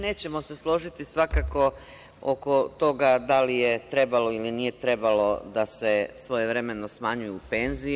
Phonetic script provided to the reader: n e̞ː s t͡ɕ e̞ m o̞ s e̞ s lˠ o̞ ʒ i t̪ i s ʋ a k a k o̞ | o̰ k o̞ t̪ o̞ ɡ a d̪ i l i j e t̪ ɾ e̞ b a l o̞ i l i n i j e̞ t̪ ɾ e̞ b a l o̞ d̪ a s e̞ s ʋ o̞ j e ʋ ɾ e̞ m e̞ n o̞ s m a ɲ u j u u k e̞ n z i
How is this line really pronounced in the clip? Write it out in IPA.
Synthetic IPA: n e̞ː t͡ɕ e̞ m o̞ s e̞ s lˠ o̞ ʒ i t̪ i s ʋ a k a k o̞ | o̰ k o̞ t̪ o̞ ɡ a d̪ a l i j e t̪ ɾ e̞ b a l o̞ i l i n i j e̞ t̪ ɾ e̞ b a l o̞ d̪ a s e̞ s ʋ o̞ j e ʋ ɾ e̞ m e̞ n o̞ s m a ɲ u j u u p e̞ n z i